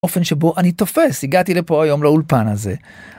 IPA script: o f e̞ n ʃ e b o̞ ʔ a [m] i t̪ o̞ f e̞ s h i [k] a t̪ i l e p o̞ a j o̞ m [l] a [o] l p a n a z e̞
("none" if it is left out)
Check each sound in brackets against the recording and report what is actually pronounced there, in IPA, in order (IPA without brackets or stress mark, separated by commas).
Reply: n, ɡ, l, u